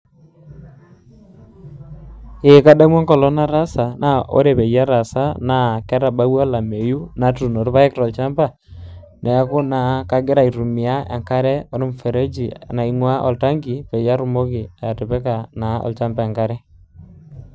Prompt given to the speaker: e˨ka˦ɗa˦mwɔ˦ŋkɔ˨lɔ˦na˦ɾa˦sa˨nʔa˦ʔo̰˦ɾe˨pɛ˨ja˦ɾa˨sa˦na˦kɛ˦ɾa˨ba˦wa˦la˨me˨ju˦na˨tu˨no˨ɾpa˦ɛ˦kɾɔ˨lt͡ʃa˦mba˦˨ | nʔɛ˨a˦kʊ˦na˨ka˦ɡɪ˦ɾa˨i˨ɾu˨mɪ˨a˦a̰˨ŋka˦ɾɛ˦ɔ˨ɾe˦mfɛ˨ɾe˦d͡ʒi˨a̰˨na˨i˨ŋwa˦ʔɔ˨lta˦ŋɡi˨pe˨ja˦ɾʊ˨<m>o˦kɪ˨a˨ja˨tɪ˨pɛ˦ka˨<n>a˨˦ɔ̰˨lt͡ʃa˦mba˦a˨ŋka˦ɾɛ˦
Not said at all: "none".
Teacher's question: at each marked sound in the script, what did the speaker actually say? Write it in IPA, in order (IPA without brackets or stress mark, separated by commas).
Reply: m, n